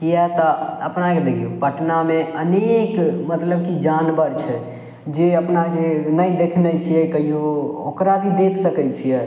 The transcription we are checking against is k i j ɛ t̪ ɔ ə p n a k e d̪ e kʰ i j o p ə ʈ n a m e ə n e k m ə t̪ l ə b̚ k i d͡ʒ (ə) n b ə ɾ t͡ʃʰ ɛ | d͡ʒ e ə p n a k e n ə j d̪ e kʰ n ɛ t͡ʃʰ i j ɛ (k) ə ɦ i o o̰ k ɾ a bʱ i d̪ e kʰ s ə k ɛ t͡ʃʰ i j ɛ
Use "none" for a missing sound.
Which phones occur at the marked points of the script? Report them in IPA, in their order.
a, k

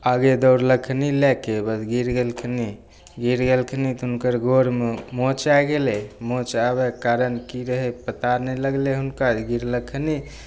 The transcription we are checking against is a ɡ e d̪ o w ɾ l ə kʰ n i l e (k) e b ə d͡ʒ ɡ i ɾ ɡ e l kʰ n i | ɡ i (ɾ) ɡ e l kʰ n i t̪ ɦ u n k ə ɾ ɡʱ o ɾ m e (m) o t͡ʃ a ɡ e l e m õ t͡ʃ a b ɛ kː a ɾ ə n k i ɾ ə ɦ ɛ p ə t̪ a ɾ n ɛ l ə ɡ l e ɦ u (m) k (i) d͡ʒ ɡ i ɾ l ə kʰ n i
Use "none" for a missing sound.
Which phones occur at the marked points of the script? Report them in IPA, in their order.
k, ɾ, m, n, a

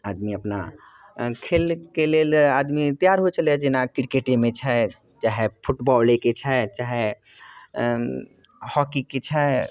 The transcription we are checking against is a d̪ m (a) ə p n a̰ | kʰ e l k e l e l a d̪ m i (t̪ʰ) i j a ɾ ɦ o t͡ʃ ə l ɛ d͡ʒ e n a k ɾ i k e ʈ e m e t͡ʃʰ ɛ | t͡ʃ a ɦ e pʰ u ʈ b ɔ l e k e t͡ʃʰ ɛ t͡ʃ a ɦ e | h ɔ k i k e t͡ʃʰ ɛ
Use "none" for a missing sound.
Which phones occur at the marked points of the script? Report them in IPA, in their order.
i, t̪

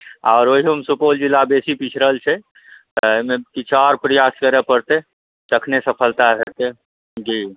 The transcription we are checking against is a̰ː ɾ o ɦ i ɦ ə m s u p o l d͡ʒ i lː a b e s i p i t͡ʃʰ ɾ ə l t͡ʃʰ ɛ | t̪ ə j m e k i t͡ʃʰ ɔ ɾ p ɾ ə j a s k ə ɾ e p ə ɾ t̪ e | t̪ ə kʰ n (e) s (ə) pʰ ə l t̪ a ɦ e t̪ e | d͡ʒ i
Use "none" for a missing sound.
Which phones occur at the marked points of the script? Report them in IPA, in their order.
e, ə

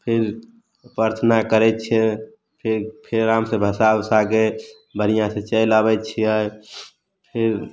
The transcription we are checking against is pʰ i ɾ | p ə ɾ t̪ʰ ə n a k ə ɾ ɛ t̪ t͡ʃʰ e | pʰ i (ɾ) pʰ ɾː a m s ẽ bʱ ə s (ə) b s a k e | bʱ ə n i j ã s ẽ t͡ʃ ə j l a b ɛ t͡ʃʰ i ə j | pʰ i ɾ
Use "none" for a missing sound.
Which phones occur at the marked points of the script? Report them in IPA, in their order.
ɾ, a

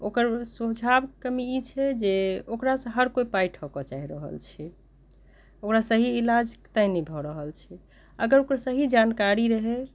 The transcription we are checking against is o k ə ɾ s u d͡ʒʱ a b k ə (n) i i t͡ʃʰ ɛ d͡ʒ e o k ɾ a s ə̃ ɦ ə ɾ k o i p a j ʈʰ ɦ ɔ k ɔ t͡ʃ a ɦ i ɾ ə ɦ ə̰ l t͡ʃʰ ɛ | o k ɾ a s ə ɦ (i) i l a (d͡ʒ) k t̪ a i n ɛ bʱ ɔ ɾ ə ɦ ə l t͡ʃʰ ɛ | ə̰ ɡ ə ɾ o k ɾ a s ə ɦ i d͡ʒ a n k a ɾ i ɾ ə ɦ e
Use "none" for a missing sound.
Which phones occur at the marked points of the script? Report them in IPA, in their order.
m, i, d͡ʒ

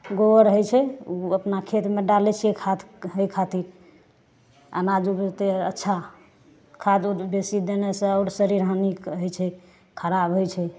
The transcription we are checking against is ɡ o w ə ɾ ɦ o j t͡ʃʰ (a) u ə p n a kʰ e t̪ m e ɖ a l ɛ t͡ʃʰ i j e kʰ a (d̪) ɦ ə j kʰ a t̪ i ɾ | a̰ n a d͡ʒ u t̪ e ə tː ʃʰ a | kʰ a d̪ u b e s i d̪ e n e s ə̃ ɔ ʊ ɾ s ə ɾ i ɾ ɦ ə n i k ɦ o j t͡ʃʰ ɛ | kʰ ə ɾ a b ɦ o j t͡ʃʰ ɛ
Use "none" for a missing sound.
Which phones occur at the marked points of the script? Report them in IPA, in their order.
ɛ, t̪

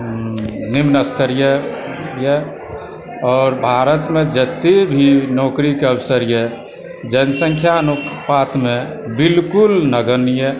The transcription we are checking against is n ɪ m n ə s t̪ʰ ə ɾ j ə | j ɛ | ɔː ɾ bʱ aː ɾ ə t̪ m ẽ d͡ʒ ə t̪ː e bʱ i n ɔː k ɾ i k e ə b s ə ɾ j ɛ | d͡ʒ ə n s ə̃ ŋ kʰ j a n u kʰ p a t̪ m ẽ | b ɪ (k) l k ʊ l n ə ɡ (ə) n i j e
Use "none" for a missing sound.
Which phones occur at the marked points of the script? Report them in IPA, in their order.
none, ə

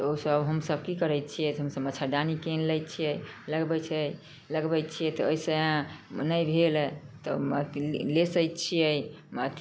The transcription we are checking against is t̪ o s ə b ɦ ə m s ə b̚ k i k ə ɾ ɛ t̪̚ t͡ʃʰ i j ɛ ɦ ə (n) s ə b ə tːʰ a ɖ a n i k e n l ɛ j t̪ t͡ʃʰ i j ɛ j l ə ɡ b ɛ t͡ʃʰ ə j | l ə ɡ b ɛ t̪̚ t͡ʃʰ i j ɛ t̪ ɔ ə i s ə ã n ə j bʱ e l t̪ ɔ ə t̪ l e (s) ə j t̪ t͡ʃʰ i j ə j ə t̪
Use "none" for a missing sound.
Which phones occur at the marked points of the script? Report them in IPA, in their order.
m, s

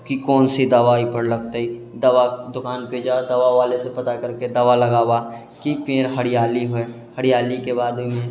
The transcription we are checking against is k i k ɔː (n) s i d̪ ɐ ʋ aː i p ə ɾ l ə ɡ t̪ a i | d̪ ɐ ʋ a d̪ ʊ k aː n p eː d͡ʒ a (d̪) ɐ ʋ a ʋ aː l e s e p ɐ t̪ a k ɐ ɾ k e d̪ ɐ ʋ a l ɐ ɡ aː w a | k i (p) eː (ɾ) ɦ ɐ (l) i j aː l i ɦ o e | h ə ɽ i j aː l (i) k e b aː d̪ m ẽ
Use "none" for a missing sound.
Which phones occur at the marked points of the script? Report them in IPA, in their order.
n, d̪, p, ɾ, ɽ, i

